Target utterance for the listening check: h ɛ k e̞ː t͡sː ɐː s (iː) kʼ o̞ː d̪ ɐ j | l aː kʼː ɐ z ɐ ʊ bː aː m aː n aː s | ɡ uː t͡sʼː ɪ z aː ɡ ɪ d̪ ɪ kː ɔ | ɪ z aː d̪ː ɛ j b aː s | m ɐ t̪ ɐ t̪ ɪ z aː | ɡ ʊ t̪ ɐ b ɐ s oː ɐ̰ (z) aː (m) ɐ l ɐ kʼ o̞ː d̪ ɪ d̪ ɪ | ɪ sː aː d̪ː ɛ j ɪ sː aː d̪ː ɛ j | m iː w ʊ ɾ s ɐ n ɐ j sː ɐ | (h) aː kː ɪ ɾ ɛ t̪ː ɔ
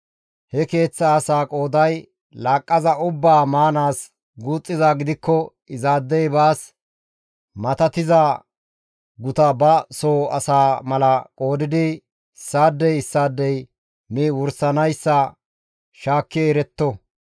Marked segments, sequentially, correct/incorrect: incorrect: aː, incorrect: s, correct, incorrect: ʃ

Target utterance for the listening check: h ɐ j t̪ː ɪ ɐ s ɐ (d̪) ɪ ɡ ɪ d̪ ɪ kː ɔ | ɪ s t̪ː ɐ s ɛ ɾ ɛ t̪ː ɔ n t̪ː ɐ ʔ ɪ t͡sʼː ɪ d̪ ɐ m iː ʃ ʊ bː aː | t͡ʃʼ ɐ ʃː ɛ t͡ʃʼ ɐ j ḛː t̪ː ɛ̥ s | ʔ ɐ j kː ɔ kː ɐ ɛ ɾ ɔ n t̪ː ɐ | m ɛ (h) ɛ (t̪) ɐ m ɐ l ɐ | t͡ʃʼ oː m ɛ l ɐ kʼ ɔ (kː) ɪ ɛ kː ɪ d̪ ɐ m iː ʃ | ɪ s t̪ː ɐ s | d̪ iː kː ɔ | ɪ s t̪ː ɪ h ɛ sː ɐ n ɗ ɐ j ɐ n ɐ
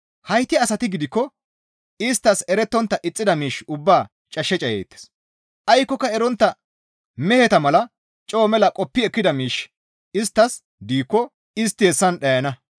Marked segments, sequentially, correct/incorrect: incorrect: t̪, correct, correct, incorrect: pː

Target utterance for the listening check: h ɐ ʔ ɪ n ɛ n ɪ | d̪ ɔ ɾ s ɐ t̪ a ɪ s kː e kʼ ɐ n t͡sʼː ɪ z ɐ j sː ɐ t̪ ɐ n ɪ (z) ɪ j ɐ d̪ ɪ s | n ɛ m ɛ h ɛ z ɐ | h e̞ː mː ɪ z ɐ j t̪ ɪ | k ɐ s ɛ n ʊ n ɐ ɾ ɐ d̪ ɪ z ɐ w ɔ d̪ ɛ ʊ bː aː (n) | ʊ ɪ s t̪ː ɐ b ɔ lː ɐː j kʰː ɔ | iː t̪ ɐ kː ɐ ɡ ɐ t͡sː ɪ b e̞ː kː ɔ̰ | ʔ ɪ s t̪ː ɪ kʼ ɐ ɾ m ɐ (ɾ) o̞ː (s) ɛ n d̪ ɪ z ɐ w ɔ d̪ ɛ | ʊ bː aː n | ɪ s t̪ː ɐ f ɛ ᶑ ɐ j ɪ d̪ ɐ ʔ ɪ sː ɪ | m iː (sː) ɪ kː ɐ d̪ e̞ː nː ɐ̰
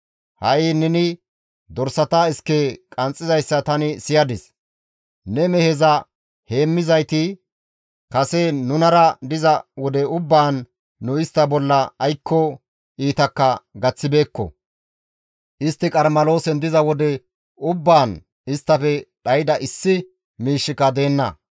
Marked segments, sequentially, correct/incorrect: incorrect: s, incorrect: nː, incorrect: l, correct, incorrect: ʃː

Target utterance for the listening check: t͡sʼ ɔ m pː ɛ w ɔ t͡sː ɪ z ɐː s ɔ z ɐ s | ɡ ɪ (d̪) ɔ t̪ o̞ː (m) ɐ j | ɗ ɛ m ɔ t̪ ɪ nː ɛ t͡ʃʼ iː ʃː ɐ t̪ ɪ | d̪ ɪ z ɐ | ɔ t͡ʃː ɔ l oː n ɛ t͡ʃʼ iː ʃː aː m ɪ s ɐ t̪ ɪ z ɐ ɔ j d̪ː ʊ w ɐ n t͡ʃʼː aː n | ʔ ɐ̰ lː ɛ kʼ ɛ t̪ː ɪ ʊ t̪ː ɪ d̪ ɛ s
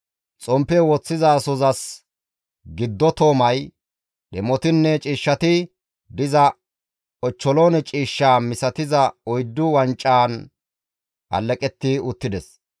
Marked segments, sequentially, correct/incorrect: incorrect: d̪ː, correct

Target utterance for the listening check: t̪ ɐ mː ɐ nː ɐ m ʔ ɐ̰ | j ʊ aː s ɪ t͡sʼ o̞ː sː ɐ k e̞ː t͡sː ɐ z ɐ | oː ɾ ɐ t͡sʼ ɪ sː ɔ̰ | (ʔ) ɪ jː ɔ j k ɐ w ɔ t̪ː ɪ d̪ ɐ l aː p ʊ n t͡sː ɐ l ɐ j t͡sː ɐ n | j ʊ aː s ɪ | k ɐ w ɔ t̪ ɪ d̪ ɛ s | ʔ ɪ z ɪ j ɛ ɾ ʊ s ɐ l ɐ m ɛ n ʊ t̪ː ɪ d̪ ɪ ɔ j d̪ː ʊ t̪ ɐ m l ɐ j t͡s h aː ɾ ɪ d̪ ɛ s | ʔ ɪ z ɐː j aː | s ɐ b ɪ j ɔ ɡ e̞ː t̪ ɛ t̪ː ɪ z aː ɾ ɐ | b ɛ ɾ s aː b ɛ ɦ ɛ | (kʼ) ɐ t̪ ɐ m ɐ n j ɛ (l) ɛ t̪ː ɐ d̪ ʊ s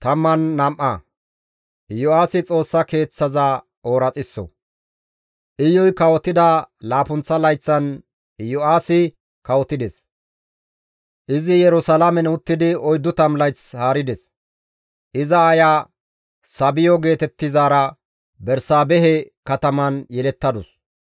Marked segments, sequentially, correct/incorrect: correct, incorrect: k, correct

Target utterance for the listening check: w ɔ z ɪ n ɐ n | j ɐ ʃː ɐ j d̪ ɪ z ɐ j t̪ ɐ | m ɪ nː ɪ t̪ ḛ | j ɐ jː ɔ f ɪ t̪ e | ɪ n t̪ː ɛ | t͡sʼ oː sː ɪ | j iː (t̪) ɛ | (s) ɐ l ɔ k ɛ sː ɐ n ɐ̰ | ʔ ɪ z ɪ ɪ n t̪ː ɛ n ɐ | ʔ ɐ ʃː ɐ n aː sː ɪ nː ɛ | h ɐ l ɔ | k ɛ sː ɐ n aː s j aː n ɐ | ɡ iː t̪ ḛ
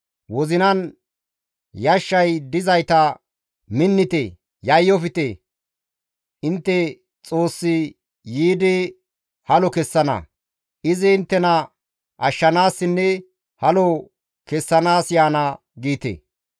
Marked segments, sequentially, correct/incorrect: incorrect: d̪, incorrect: h

